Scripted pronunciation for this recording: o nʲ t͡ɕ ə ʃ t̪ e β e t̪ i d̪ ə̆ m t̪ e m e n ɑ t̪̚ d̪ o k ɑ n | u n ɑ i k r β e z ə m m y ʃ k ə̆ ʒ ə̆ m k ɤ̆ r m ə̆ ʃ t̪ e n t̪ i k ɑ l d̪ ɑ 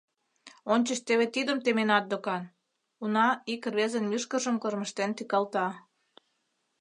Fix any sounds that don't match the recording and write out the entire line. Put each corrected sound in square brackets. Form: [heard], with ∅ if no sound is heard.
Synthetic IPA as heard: o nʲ t͡ɕ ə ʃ t̪ e β e t̪ i d̪ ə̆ m t̪ e m e n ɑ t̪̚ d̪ o k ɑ n | u n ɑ i k r β e z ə [n] m y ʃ k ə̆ ʒ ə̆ m k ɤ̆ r m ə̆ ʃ t̪ e n t̪ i k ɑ l [t̪] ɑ